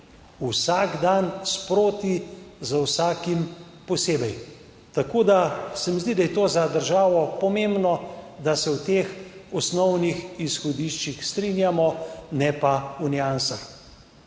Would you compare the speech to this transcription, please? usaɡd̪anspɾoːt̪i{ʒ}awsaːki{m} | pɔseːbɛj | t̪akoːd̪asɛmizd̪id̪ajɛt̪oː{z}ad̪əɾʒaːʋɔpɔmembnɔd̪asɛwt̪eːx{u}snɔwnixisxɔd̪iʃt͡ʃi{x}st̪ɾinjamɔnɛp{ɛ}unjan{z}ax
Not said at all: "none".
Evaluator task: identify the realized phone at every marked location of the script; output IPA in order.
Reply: z, m, z, ɔ, x, a, s

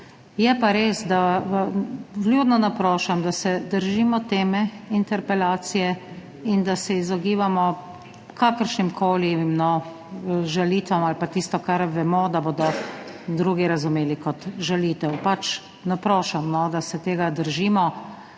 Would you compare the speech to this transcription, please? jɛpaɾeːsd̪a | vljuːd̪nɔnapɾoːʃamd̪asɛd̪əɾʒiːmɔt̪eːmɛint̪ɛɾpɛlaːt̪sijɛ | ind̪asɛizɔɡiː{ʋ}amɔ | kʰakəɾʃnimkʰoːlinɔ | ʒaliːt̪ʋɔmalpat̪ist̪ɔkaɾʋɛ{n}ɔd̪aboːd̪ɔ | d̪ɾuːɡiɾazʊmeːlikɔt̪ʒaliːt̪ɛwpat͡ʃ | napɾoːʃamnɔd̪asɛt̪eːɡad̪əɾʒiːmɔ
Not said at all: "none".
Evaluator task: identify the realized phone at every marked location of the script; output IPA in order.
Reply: ʋ, m

